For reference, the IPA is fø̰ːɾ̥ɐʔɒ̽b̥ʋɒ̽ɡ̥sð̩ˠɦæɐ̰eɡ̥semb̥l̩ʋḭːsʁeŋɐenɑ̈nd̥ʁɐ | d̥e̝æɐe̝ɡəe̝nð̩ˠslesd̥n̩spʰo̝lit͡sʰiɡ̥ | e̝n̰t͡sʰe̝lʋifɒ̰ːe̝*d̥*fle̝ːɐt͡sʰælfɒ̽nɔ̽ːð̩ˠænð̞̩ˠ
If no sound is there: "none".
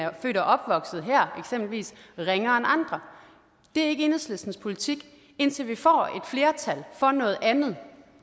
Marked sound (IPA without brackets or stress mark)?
d̥